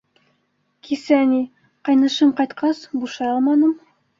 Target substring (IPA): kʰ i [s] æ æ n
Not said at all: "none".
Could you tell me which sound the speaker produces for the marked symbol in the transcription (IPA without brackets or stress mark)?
s